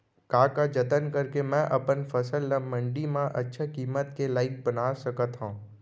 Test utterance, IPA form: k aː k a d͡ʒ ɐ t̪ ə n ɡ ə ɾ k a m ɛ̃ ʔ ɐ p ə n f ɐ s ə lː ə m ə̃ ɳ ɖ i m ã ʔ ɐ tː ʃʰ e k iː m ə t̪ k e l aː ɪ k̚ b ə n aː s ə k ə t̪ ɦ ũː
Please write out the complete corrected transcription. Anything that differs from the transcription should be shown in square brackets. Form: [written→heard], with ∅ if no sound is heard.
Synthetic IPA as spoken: k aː k a d͡ʒ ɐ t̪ ə n [ɡ→k] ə ɾ k [a→e] m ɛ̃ ʔ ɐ p ə n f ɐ s ə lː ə m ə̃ ɳ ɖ i m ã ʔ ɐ tː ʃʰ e k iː m ə t̪ k e l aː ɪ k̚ b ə n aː s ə k ə t̪ ɦ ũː